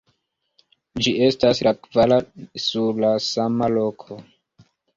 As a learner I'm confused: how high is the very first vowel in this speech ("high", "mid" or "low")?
high